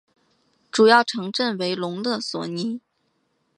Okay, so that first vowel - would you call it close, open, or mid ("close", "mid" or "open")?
close